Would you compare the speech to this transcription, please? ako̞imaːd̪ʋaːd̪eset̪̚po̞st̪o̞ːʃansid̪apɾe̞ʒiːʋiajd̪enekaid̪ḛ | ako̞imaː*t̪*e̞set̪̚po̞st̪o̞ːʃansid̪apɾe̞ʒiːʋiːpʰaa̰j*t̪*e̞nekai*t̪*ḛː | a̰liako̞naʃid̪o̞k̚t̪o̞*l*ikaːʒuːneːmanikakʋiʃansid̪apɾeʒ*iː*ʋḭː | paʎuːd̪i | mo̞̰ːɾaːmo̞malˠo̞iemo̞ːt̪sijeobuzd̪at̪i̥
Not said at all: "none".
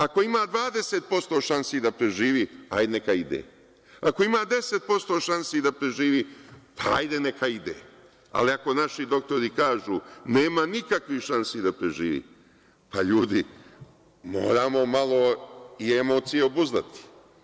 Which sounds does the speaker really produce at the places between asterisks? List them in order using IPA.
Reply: d̪, d̪, d̪, ɾ, iː

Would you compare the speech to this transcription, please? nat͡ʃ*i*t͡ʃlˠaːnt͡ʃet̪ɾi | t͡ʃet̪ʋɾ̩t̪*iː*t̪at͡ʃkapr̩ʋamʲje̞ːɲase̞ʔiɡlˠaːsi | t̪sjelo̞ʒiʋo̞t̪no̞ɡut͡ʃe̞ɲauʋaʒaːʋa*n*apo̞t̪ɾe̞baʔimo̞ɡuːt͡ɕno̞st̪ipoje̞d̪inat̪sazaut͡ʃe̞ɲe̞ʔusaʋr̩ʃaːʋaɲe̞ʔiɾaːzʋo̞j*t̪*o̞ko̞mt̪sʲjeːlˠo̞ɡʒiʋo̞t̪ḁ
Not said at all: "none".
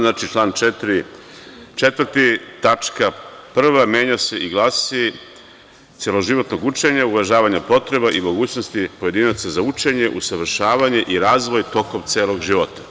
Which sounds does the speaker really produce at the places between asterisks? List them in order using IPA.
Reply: i, i, ɲ, t̪

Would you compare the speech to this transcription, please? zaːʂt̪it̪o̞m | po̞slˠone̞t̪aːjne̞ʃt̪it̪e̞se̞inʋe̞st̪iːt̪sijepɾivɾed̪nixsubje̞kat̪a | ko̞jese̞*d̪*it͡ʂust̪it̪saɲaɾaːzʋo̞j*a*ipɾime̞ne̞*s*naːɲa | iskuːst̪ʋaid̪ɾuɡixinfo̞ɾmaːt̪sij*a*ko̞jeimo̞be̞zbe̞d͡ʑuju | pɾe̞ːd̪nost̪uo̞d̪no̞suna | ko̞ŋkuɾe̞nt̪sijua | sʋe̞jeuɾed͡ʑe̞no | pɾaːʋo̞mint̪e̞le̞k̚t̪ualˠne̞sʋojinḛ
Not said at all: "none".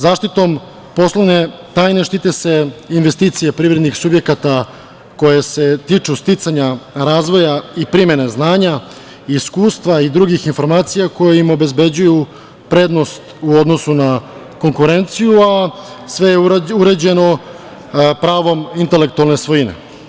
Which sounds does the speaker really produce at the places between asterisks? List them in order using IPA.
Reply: t̪, a, z, a

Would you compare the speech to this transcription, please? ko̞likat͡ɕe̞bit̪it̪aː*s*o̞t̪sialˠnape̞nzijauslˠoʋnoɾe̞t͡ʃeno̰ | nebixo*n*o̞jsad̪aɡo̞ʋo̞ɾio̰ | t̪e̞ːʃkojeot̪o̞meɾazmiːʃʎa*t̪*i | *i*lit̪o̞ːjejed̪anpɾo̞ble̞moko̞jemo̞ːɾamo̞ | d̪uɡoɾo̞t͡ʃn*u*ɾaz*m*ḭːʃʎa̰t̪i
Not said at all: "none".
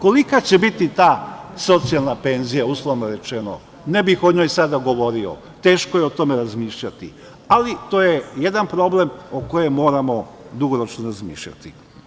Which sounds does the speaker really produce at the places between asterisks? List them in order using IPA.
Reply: s, ɲ, t̪, a, o, m

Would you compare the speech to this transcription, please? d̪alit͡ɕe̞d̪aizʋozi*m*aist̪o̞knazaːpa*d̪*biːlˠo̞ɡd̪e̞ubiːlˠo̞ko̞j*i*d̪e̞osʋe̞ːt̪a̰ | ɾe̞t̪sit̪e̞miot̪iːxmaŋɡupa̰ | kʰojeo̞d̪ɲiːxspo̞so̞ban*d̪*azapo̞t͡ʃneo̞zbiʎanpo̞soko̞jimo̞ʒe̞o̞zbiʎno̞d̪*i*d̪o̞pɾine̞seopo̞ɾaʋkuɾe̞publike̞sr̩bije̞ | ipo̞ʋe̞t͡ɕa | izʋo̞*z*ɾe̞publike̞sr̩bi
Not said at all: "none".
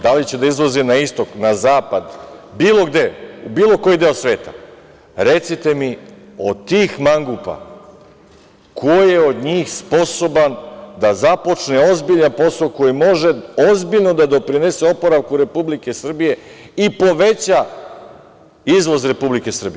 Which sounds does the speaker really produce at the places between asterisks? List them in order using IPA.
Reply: n, d̪, i, d̪, a, z

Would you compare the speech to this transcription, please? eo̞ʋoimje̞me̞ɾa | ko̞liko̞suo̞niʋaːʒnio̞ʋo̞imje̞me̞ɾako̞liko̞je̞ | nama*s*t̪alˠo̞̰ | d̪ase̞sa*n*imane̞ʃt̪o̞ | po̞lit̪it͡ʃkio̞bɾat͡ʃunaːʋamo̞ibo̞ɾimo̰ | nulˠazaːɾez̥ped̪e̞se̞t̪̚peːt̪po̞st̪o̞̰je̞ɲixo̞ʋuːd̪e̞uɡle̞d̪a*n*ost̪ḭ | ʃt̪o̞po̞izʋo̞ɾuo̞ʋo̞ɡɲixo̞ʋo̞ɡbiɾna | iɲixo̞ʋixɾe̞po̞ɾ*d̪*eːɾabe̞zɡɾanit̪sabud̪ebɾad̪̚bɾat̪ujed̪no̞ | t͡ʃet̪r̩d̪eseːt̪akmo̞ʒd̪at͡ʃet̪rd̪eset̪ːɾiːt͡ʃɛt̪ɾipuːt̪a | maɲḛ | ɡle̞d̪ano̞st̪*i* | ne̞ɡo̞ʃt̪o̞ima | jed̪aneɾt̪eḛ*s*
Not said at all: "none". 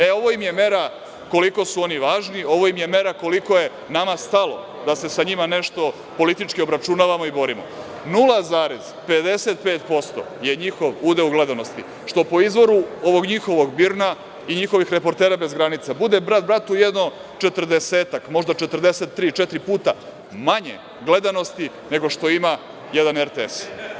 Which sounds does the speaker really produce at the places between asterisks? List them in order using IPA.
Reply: s, ɲ, n, t̪, i, s

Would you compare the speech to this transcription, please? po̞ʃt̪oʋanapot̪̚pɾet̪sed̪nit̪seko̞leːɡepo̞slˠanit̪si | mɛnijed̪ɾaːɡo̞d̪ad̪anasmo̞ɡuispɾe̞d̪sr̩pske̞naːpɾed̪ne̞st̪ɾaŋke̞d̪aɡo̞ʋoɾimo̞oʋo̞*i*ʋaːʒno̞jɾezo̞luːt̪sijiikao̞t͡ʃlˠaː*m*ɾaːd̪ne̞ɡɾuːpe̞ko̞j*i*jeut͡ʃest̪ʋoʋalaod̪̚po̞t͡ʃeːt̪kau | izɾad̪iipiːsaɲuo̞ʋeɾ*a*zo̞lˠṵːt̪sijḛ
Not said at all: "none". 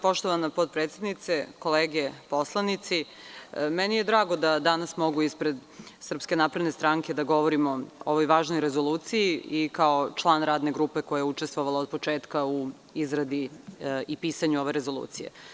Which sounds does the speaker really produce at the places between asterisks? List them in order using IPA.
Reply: j, n, a, e

